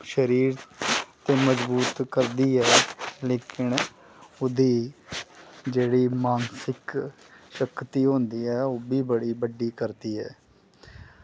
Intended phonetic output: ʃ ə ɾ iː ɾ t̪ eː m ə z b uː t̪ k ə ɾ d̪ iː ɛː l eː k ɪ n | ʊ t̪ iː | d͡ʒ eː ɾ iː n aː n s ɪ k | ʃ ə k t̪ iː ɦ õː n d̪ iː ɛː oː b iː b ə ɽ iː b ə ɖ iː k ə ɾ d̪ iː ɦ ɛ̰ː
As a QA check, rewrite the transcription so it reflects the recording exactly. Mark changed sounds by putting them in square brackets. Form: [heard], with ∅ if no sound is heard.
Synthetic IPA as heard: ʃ ə ɾ iː ɾ t̪ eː m ə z b uː t̪ k ə ɾ d̪ iː ɛː l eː k ɪ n | ʊ [d̪] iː | d͡ʒ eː [ɽ] iː [m] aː n s ɪ k | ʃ ə k t̪ iː ɦ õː n d̪ iː ɛː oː b iː b ə ɽ iː b ə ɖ iː k ə ɾ d̪ iː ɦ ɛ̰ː